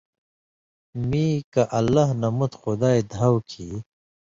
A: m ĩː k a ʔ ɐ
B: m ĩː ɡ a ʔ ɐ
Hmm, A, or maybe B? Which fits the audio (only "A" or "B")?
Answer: A